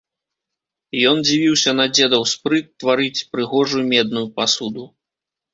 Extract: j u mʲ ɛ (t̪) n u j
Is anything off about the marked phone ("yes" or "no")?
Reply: yes